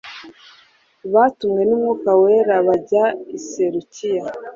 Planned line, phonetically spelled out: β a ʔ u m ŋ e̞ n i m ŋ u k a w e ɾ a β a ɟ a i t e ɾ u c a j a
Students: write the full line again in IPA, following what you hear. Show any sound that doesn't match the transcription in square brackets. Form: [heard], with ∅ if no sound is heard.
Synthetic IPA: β a [t] u m ŋ e̞ n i m ŋ u k a w e ɾ a β a ɟ a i [s] e ɾ u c [i] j a